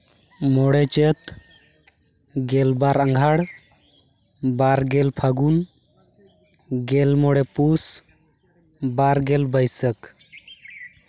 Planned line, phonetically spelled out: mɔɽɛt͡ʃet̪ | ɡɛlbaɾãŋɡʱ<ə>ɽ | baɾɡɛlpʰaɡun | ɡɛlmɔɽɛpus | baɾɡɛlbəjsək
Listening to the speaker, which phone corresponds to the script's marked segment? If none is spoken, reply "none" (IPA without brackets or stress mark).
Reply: a